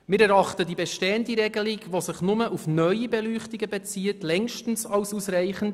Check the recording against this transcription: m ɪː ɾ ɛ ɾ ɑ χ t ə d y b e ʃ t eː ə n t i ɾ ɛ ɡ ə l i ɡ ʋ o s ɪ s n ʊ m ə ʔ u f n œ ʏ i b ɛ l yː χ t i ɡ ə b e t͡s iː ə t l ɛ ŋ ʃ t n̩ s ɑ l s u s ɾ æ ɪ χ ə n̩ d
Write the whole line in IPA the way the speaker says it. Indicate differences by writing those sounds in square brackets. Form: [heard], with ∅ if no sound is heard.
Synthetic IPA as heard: m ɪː ɾ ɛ ɾ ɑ χ t ə d [i] b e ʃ t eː ə n [d] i ɾ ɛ ɡ ə l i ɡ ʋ o s ɪ [χ] n ʊ m ə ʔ u f n œ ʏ i b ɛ l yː χ t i ɡ ə b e t͡s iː ə t l ɛ ŋ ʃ t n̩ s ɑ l s u s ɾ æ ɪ χ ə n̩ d